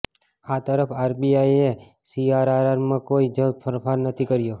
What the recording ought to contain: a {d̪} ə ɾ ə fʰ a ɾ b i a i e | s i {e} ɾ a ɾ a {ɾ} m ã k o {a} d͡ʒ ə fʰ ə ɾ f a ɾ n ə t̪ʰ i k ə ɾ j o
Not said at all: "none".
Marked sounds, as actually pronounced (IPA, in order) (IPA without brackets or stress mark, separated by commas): t̪, a, ɾ, i